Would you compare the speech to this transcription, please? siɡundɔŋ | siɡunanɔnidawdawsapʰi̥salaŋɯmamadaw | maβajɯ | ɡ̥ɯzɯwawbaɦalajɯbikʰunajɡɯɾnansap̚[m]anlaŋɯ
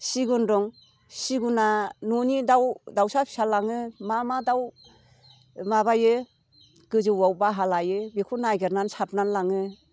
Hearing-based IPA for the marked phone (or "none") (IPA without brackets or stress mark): n